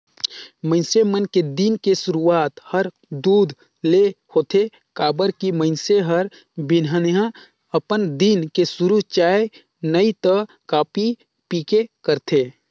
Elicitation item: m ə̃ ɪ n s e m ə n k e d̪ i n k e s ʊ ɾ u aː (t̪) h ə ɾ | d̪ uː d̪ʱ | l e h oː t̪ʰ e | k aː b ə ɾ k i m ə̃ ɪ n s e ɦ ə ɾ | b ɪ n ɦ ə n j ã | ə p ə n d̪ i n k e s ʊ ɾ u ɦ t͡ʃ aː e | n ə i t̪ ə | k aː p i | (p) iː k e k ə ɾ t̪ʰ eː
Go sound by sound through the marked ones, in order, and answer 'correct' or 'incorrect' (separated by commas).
correct, correct